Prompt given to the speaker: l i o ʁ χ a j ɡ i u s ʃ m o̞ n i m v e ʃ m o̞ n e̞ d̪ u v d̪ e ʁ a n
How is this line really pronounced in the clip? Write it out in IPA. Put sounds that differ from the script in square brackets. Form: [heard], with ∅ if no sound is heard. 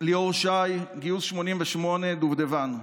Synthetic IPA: l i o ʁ [ʃ] a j ɡ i u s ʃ m o̞ n i m v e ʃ m o̞ n e̞ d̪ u v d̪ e [v] a n